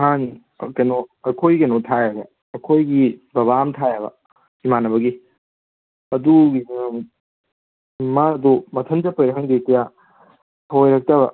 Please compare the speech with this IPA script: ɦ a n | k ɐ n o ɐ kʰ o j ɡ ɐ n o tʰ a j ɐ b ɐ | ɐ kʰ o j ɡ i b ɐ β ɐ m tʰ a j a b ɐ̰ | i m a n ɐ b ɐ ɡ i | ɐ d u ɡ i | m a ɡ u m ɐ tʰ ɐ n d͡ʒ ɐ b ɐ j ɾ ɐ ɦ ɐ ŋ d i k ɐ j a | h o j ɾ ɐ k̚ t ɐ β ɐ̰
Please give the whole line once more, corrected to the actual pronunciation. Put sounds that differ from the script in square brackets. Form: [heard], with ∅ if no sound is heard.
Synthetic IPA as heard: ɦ a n | k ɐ n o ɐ kʰ o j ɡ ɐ n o tʰ a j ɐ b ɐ | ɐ kʰ o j ɡ i b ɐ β [a] m tʰ a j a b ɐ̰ | i m a n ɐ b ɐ ɡ i | ɐ d u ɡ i | m a [d] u m ɐ tʰ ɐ n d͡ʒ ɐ [p] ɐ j ɾ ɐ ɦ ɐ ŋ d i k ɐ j a | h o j ɾ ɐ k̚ t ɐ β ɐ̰